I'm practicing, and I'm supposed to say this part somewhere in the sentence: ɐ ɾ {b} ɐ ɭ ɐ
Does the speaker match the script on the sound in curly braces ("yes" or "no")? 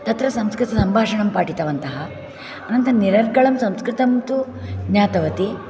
no